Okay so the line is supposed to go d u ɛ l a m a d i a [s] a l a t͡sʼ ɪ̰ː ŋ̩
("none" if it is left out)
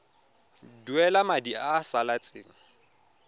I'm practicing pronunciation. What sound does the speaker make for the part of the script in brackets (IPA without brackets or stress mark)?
s